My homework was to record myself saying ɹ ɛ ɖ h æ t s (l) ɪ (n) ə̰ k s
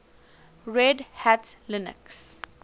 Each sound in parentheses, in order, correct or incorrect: correct, correct

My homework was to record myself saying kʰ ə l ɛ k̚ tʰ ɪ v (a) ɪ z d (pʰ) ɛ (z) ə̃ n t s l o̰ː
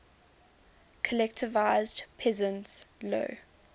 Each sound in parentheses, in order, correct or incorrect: correct, correct, correct

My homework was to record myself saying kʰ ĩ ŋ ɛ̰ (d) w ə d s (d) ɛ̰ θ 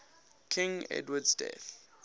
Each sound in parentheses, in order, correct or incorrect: correct, correct

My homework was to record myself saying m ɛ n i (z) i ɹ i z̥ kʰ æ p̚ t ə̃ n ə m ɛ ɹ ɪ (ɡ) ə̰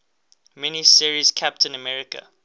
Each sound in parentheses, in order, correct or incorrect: incorrect: s, incorrect: k

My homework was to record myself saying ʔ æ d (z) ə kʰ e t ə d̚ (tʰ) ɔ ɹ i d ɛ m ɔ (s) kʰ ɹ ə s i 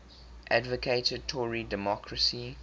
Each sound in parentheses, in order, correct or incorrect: incorrect: v, correct, incorrect: none

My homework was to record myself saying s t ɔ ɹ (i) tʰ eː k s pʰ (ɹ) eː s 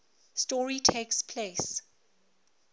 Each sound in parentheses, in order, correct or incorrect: correct, incorrect: l

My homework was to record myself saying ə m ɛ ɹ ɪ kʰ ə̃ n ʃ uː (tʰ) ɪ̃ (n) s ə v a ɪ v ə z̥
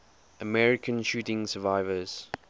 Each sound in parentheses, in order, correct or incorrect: incorrect: t, incorrect: ŋ

